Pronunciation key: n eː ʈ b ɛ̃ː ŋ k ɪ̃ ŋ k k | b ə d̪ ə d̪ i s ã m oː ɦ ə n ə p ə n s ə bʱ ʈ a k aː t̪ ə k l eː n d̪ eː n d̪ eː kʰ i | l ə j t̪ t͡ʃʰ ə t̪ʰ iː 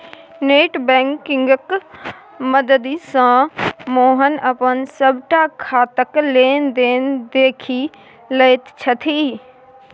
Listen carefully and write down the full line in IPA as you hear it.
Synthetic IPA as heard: n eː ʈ b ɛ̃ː ŋ k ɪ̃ ŋ ɡ k | m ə d̪ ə d̪ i s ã m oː ɦ ə n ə p ə n s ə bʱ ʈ a kʰ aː t̪ ə k l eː n d̪ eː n d̪ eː kʰ i | l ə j t̪ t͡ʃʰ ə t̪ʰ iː